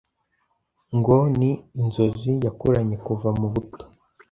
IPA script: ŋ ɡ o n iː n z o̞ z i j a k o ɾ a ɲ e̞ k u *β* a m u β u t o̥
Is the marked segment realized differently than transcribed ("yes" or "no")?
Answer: yes